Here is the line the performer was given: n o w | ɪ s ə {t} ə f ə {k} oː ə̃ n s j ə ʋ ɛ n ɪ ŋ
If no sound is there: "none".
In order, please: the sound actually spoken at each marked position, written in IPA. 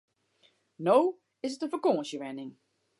t, k

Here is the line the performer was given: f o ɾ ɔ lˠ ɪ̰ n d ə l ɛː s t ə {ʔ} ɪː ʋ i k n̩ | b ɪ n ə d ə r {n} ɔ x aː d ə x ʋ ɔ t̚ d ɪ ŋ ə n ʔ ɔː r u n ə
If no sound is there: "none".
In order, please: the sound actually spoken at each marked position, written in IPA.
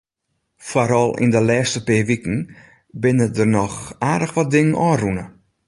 p, n

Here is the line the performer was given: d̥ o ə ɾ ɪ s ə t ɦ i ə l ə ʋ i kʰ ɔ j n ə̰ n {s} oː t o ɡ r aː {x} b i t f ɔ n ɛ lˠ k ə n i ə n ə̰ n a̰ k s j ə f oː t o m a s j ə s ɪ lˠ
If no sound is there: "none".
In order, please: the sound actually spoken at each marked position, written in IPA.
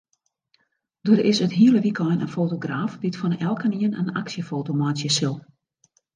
f, f

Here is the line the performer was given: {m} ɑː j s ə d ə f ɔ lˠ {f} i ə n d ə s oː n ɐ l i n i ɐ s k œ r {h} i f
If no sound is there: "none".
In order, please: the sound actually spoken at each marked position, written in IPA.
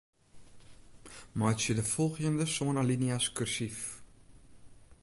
m, χ, s

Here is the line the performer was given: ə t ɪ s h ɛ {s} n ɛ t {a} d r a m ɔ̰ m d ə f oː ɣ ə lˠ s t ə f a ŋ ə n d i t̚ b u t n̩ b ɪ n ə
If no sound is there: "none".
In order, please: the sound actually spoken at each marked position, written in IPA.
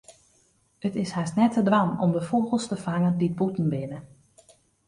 s, ə

